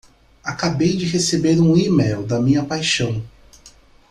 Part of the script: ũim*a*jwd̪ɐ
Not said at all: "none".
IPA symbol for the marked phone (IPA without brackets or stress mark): e